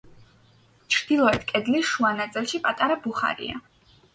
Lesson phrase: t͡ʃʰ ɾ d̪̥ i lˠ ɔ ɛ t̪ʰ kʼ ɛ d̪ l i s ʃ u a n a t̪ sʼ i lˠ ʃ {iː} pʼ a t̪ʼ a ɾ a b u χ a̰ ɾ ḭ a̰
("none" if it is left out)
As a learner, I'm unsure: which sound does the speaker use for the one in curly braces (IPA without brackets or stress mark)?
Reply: i